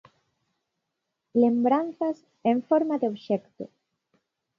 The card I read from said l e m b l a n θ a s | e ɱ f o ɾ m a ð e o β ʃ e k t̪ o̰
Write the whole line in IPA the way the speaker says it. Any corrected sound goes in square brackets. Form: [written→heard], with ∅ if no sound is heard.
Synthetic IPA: l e m b [l→ɾ] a n θ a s | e ɱ f o ɾ m a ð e o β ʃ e k t̪ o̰